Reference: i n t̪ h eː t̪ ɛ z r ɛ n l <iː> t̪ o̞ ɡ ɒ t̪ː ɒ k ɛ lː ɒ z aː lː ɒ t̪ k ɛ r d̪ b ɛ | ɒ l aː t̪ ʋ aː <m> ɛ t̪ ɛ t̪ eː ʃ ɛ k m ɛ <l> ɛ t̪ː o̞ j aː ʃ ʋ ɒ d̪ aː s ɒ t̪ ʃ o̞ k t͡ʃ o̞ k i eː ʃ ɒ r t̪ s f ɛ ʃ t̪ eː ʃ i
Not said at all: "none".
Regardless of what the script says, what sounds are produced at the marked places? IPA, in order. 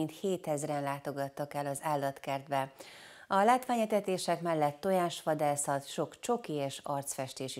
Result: aː, ɲ, lː

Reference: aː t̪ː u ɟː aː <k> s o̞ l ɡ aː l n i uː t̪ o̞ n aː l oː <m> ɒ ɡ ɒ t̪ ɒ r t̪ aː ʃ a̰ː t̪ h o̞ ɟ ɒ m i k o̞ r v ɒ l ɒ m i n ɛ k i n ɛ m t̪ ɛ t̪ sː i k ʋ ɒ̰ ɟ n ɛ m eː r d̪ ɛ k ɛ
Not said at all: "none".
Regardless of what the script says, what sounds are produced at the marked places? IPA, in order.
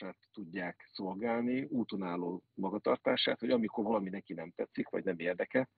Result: k, m

